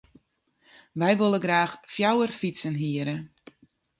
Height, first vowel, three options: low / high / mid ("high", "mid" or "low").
mid